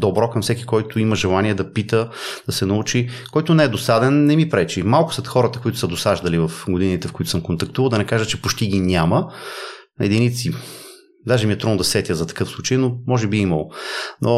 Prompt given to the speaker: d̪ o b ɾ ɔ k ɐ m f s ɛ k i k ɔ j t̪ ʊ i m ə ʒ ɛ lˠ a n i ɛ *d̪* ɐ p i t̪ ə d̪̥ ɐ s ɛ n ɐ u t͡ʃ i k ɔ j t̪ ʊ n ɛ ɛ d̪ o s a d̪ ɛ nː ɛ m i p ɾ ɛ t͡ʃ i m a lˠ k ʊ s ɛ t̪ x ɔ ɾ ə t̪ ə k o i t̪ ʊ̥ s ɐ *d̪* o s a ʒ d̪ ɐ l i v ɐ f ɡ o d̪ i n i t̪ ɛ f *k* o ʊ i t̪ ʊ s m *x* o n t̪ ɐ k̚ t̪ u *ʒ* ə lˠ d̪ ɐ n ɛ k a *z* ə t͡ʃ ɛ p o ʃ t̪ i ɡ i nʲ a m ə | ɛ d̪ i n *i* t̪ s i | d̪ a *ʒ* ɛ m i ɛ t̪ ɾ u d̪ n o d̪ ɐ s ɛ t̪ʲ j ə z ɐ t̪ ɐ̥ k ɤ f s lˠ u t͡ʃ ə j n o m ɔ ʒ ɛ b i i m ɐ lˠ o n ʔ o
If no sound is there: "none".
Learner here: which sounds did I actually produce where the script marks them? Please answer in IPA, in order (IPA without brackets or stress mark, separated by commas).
d̪, d̪, k, k, v, ʒ, i, ʒ